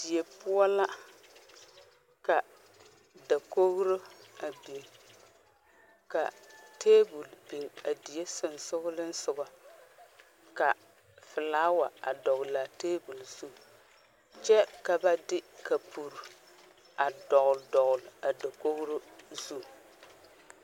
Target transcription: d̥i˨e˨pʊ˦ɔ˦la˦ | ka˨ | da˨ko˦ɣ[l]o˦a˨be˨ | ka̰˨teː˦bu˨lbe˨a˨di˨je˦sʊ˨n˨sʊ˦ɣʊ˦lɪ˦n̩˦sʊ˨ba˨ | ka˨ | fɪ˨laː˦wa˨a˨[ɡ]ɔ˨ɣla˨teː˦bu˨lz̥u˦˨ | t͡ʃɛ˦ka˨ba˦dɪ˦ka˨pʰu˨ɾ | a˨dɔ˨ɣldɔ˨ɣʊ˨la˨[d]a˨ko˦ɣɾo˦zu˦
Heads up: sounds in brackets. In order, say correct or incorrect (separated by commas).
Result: incorrect, incorrect, correct